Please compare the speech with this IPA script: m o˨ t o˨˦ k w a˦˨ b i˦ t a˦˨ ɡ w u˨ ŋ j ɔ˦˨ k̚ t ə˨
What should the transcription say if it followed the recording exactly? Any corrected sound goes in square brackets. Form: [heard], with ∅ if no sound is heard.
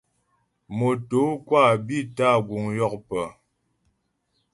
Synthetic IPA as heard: m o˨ t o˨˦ k w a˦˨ b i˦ t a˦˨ ɡ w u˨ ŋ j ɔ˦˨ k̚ [p] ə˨